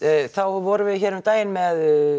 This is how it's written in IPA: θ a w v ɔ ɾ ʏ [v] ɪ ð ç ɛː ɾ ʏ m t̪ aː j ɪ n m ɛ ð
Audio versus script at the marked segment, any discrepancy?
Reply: no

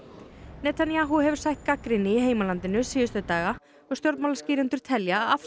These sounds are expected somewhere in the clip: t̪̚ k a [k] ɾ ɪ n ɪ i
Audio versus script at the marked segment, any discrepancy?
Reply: no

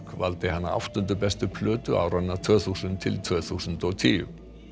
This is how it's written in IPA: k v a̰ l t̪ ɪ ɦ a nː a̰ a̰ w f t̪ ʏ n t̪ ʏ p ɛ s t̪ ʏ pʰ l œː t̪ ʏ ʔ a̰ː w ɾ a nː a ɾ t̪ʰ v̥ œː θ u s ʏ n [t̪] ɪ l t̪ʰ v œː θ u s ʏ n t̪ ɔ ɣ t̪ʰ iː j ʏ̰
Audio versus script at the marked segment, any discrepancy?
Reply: yes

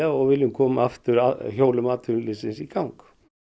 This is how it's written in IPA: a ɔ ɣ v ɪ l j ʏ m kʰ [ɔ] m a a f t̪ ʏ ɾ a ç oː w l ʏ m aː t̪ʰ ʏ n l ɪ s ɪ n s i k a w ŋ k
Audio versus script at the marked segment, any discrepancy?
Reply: yes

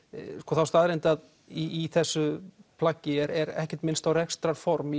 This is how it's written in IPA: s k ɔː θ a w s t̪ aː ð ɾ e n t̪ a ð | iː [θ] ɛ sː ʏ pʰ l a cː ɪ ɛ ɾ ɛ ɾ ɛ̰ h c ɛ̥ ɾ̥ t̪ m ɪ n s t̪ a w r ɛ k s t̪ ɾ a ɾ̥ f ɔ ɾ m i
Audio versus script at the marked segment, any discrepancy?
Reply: no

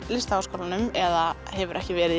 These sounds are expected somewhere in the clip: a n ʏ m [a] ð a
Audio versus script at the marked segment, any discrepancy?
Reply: yes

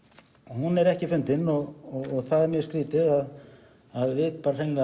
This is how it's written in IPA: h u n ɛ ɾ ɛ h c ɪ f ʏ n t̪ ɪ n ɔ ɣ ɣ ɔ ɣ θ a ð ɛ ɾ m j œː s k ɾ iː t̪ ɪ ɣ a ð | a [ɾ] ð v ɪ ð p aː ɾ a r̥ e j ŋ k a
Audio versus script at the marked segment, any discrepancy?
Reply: yes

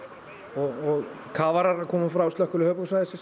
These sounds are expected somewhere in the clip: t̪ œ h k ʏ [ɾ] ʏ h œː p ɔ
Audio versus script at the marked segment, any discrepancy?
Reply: yes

